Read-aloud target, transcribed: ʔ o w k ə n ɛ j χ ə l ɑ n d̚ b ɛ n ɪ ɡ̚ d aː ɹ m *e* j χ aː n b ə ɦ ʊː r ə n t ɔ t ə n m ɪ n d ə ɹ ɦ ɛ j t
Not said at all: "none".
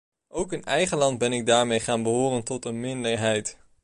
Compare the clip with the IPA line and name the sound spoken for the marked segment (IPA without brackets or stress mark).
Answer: e